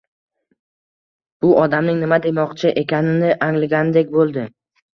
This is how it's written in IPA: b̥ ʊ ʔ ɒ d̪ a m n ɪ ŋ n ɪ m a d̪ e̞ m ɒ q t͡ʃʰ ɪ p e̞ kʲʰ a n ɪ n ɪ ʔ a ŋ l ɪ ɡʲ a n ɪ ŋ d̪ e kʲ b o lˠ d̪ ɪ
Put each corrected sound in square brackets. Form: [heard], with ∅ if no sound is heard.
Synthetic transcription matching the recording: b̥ ʊ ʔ ɒ d̪ a m n ɪ ŋ n ɪ m a d̪ e̞ m ɒ q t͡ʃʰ ɪ [ʔ] e̞ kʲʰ a n ɪ n ɪ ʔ a ŋ l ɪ ɡʲ a n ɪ [∅] d̪ e kʲ b o lˠ d̪ ɪ

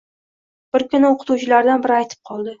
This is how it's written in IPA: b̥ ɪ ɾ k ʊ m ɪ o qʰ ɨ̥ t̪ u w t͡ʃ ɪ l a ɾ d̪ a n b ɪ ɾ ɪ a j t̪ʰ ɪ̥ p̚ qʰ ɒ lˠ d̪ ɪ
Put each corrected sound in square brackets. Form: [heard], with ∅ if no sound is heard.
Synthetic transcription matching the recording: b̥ ɪ ɾ k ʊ [n] ɪ o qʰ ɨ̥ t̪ u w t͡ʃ ɪ l a ɾ d̪ a n b ɪ ɾ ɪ a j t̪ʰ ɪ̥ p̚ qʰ ɒ lˠ d̪ ɪ

